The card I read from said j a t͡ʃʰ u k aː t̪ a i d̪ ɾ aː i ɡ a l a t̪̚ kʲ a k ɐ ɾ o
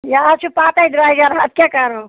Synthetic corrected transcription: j a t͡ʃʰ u p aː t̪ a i d̪ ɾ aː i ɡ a ɾ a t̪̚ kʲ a k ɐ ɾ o